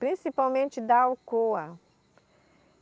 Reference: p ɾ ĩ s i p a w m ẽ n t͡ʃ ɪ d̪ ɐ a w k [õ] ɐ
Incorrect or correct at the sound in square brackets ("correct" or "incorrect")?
incorrect